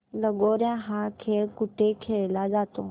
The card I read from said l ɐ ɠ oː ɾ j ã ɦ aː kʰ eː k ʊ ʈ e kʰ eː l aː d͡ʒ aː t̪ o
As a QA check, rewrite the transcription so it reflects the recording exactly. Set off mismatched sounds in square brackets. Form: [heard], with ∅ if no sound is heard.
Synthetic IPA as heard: l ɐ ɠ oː ɾ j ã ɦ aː kʰ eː k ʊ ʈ e kʰ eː l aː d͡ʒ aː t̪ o